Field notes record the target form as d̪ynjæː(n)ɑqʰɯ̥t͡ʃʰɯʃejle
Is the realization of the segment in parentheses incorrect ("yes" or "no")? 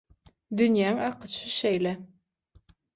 yes